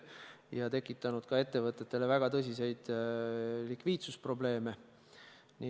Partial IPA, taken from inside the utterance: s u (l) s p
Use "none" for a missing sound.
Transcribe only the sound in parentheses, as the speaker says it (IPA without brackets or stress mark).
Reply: none